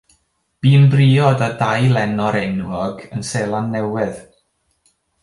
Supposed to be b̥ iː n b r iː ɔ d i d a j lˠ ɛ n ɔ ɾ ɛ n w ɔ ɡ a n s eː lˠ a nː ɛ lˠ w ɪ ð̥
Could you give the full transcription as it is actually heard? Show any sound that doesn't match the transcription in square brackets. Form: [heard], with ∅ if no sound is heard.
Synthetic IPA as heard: b̥ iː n b r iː ɔ d [a] d a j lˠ ɛ n ɔ ɾ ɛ n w ɔ ɡ [ə] n s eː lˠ a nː ɛ [∅] w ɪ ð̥